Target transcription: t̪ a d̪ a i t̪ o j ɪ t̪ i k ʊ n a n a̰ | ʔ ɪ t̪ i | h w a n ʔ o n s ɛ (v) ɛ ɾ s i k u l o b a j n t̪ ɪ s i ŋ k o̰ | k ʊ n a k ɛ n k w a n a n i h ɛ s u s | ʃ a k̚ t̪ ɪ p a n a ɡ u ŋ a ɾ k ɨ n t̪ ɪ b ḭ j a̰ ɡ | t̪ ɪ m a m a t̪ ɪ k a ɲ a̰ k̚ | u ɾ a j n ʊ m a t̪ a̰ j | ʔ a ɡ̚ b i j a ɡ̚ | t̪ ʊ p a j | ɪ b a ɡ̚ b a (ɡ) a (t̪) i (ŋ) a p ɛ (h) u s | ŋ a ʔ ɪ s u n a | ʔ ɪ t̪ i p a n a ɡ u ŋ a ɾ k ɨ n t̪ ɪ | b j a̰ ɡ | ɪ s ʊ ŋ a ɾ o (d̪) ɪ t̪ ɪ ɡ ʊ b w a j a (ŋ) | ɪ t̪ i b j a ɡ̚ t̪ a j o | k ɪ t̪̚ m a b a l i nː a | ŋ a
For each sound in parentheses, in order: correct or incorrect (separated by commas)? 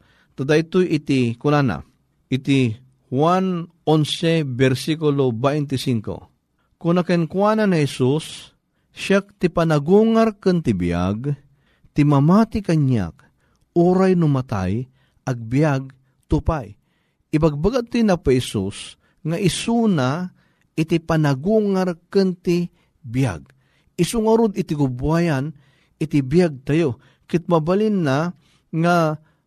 incorrect, correct, correct, incorrect, incorrect, correct, incorrect